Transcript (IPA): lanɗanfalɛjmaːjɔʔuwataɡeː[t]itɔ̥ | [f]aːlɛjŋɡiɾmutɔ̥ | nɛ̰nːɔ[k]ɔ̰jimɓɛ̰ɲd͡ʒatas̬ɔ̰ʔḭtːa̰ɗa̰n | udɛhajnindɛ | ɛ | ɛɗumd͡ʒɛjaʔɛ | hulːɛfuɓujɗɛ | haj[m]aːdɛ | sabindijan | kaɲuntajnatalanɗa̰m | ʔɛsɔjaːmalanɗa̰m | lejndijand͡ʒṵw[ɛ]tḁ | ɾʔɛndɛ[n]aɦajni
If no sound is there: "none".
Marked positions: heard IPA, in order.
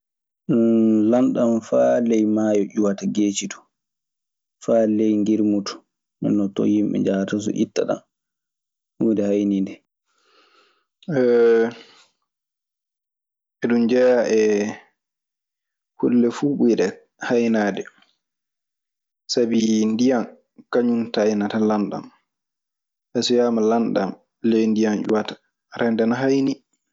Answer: t͡ʃ, f, t, n, a, n

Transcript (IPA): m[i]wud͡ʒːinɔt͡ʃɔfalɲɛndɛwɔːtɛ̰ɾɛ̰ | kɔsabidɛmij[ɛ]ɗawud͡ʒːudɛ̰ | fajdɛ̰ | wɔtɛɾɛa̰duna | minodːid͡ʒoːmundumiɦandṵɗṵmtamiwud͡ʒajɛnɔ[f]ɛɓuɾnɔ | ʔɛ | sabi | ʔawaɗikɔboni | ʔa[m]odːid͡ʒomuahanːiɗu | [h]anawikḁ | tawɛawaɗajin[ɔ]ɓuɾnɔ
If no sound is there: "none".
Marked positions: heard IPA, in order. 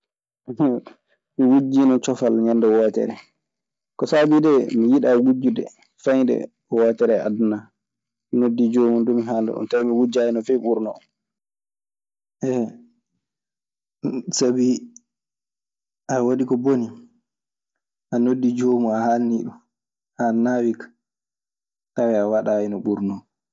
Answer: i, i, f, n, h, ɔ

